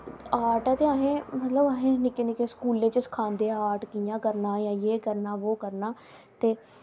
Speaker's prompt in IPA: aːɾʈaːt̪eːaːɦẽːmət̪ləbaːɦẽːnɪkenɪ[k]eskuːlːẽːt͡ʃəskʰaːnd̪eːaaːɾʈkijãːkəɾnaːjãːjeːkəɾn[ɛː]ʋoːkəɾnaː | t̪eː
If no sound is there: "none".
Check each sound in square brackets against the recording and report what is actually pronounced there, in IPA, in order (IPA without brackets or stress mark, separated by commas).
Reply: k, aː